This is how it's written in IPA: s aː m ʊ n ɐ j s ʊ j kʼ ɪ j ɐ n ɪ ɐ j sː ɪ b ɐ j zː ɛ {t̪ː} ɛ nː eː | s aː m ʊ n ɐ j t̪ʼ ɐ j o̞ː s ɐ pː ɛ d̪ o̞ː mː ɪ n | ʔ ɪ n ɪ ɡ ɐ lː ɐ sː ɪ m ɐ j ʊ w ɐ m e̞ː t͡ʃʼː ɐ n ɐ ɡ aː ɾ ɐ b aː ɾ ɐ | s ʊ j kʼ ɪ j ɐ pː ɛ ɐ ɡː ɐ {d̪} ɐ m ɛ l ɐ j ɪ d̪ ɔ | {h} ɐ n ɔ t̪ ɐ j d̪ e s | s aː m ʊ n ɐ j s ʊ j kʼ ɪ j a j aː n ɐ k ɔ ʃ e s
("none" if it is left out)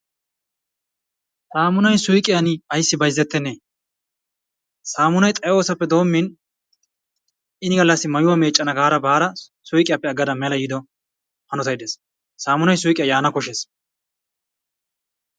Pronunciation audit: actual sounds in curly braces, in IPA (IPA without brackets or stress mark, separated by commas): t̪ː, d̪, h